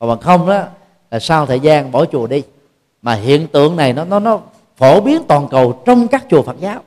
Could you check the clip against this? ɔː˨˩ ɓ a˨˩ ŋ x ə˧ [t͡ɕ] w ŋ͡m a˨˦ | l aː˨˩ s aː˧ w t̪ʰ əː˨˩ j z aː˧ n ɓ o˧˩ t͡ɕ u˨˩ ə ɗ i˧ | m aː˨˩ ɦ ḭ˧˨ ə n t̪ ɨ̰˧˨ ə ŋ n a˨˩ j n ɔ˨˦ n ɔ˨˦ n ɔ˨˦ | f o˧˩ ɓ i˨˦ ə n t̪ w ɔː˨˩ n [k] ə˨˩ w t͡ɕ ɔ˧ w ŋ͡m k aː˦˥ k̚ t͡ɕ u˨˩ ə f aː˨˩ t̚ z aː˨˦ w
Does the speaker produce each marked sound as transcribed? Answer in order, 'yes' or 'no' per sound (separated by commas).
no, yes